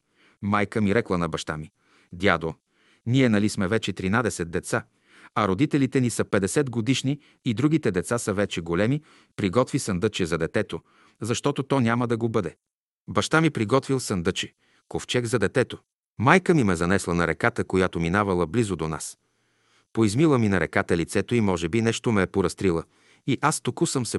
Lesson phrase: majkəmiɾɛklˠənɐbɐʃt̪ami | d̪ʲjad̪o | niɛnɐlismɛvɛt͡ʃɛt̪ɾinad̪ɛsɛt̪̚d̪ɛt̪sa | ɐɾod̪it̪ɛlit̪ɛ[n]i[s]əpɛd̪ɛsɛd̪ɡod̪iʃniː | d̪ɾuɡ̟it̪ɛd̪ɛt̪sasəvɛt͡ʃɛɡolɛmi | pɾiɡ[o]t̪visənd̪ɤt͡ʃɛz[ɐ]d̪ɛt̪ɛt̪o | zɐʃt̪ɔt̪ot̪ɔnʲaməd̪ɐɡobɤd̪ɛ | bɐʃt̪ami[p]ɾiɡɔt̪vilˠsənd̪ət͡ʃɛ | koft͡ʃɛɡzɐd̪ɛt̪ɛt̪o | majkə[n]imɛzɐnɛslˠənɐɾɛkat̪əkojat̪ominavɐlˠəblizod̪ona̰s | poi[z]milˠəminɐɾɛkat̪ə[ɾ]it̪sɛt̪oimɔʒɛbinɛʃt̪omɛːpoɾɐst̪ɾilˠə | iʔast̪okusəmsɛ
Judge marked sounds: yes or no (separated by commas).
yes, yes, no, yes, yes, no, yes, no